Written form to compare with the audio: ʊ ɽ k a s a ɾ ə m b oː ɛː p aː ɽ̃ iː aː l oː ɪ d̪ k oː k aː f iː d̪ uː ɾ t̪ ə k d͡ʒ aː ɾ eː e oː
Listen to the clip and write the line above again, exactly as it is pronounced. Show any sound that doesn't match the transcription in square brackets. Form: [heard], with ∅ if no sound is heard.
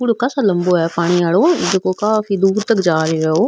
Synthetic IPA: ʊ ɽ k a s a [l] ə m b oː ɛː p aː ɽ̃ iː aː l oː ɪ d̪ k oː k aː f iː d̪ uː ɾ t̪ ə k d͡ʒ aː ɾ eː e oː